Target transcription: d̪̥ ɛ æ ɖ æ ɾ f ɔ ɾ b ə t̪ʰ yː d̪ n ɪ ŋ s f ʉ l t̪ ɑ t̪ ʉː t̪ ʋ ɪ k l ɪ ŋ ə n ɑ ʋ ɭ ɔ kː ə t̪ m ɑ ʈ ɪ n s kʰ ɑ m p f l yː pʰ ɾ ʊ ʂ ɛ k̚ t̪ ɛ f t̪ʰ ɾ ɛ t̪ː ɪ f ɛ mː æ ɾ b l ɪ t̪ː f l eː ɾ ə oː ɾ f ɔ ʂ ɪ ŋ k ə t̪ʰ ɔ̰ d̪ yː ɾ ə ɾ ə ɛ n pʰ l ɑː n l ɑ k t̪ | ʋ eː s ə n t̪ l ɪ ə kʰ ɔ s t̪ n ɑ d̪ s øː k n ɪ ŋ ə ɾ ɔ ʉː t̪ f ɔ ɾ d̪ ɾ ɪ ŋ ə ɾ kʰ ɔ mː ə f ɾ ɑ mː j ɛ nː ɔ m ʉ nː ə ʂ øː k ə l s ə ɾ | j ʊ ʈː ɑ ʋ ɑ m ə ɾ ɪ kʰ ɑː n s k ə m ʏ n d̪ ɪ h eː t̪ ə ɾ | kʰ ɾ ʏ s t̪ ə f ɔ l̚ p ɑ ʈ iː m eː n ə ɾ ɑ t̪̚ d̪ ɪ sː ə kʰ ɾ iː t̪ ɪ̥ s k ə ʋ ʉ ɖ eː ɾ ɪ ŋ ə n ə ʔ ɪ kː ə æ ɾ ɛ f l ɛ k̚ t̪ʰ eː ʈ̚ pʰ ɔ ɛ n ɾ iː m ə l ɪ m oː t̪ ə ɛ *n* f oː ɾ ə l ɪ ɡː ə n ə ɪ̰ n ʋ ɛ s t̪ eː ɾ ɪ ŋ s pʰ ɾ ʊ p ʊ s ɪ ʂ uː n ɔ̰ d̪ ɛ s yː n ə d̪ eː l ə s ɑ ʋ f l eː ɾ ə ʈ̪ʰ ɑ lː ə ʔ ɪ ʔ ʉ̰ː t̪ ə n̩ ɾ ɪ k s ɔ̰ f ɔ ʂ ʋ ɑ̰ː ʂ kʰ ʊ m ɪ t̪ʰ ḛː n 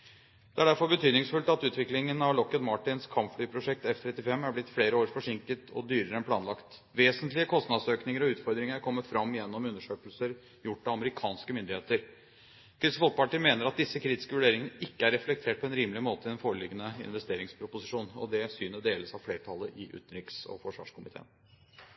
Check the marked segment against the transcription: correct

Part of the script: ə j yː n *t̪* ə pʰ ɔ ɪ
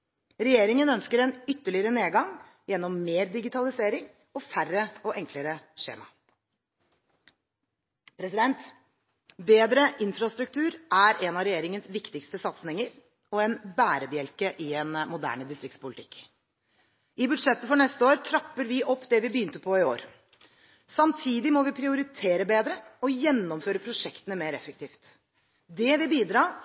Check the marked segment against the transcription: correct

